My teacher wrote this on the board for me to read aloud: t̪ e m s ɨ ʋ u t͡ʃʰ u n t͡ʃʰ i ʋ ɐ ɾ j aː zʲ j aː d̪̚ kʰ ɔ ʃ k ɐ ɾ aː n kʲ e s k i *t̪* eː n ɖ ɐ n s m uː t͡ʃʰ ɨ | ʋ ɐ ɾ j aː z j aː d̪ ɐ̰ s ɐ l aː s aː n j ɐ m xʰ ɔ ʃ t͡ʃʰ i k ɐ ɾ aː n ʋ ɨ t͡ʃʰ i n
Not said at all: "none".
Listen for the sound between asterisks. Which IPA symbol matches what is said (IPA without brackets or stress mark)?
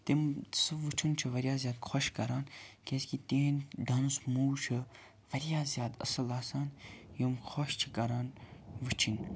t̪